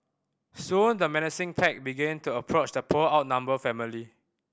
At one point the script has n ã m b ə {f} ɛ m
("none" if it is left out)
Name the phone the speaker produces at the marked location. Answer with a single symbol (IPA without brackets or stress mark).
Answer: f